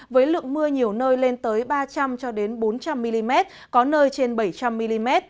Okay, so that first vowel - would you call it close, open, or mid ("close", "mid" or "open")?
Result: mid